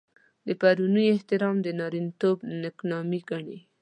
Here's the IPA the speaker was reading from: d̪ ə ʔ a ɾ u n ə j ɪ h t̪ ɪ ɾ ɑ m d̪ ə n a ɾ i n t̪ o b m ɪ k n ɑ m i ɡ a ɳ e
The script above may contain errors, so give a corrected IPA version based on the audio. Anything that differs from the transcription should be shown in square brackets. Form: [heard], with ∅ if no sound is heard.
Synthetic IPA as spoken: d̪ ə [p] a ɾ u n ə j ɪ h t̪ ɪ ɾ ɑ m d̪ ə n [ɑ] ɾ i n t̪ o b [n] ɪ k n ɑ m i ɡ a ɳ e